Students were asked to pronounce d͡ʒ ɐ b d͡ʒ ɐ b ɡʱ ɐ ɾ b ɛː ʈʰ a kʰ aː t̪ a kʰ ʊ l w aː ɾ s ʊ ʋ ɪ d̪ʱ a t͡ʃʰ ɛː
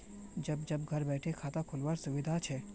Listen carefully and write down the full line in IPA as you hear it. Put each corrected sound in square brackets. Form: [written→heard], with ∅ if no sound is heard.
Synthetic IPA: d͡ʒ ɐ b d͡ʒ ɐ b ɡʱ ɐ ɾ b ɛː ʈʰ [a→e] kʰ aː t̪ a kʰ ʊ l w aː ɾ s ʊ ʋ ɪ d̪ʱ a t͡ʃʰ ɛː